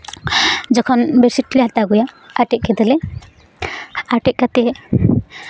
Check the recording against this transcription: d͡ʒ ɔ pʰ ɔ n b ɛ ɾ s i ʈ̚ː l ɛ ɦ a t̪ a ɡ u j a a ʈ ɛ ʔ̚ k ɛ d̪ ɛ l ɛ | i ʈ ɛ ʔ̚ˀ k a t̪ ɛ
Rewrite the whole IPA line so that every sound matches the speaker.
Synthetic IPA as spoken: d͡ʒ ɔ kʰ ɔ n b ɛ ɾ s i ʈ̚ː l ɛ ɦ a t̪ a ɡ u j a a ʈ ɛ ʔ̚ k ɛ d̪ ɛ l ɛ | a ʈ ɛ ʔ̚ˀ k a t̪ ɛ